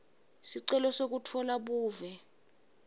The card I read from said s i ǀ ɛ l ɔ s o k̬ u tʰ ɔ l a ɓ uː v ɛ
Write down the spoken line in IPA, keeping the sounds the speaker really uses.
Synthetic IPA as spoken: s i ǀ ɛ l ɔ s o k̬ u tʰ ɔ l a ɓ uː v ɛ